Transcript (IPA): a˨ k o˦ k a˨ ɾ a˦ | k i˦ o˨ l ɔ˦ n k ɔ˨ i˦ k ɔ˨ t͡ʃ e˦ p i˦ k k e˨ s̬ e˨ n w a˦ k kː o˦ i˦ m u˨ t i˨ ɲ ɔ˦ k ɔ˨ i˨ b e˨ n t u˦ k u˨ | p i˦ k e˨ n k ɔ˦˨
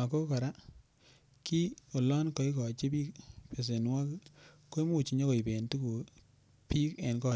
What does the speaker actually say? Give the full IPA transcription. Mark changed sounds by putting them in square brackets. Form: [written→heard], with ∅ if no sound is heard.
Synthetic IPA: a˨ k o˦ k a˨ ɾ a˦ | k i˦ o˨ l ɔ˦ n k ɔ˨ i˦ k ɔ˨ t͡ʃ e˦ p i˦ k [k→p] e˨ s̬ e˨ n w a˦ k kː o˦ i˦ m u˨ [t→t͡ʃ] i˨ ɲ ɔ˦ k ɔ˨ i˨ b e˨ n t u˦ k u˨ | p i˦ k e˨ n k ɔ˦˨

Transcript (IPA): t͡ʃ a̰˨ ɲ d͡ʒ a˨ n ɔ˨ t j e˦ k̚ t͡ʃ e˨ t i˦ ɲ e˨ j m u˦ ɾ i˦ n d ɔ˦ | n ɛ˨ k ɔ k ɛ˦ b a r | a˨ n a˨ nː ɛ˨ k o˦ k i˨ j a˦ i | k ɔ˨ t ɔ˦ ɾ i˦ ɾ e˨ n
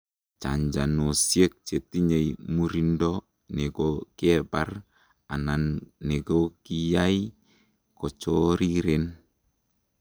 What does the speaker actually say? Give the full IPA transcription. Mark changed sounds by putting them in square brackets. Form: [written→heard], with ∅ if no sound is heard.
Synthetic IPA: t͡ʃ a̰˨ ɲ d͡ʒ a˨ n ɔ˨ [t→s] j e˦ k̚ t͡ʃ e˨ t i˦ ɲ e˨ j m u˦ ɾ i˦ n d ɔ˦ | n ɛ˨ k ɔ k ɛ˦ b a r | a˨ n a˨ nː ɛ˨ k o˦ k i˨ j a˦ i | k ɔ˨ [t→t͡ʃ] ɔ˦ ɾ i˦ ɾ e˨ n

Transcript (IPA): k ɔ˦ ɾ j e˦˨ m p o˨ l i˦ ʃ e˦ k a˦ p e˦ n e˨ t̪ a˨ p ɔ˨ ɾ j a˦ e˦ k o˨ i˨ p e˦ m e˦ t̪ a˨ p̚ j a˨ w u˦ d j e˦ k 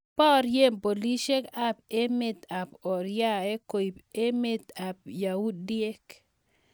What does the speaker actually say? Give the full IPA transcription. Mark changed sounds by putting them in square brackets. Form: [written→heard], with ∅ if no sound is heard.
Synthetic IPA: [k→p] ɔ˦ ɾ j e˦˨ m p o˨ l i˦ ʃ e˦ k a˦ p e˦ [n→m] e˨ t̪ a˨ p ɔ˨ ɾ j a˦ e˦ k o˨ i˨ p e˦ m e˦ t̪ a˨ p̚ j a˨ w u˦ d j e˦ k

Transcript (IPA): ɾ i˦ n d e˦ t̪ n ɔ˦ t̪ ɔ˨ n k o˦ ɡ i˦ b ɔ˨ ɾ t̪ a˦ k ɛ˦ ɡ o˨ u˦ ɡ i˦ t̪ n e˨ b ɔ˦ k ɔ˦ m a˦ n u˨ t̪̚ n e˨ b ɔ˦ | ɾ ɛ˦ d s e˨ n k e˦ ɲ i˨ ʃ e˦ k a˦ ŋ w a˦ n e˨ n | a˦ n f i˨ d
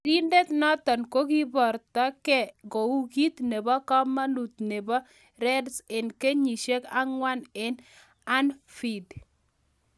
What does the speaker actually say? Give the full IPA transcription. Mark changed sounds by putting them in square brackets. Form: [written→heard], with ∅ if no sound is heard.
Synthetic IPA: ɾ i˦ n d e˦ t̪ n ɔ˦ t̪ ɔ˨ n k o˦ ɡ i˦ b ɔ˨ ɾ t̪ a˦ k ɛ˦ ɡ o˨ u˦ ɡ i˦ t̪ n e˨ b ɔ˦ k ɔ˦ m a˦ n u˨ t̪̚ n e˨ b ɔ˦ | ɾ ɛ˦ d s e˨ n k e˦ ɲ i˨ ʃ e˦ k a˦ ŋ w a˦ n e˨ n | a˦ n f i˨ d

